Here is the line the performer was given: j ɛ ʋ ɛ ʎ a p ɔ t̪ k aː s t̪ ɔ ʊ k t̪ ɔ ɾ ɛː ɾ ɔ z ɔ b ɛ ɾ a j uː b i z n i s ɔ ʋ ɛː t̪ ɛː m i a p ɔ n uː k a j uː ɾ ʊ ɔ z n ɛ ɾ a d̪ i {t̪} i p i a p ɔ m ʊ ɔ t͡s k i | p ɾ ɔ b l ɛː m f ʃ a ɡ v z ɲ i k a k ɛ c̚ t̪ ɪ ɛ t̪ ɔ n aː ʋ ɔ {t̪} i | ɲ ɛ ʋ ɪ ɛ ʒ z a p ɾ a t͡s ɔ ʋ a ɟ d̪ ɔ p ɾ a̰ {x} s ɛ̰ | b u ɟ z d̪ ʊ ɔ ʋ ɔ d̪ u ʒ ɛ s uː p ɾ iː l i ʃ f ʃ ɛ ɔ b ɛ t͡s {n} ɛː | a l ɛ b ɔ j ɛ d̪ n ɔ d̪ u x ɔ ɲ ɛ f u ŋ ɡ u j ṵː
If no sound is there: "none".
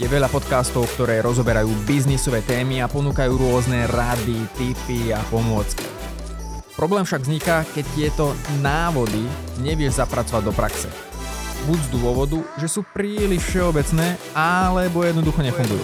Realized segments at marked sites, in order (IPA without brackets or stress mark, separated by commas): t̪, d̪, k, n